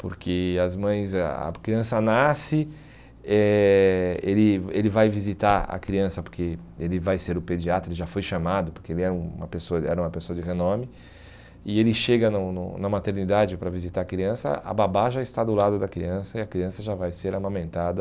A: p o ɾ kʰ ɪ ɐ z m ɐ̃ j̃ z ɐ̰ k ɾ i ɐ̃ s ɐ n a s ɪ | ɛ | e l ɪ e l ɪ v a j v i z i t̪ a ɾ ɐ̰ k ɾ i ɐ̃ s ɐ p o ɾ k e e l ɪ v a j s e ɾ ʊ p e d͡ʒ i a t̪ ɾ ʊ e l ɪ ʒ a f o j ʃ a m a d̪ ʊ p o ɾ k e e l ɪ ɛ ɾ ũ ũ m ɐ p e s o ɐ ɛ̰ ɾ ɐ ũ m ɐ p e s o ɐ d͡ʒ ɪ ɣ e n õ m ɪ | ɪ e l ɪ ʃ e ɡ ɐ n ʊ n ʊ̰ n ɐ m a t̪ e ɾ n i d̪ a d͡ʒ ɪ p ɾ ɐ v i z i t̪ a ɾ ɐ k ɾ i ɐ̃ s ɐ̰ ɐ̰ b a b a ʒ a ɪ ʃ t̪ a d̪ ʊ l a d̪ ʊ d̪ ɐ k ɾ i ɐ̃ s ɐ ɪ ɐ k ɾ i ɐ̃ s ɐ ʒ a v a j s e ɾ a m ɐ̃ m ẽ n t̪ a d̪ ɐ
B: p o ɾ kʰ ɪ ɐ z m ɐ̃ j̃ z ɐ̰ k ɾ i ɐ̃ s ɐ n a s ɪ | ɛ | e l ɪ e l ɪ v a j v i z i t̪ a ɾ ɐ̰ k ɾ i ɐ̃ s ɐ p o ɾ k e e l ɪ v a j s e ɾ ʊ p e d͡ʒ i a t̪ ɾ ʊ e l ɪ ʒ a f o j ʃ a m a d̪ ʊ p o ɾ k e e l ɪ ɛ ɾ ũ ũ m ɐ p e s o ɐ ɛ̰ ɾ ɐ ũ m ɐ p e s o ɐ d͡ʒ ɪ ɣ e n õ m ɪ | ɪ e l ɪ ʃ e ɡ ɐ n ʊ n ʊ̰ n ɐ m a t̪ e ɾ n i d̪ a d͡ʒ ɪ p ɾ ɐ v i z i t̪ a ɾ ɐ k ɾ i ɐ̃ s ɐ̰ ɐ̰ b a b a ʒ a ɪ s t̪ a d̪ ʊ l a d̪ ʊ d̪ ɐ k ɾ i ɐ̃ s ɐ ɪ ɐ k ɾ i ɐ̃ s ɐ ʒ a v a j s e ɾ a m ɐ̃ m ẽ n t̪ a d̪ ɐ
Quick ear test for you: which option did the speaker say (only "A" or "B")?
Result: B